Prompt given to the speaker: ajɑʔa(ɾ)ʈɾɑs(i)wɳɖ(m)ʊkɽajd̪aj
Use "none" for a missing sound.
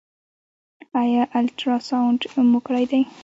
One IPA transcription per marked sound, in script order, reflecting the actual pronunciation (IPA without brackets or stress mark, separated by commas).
l, a, m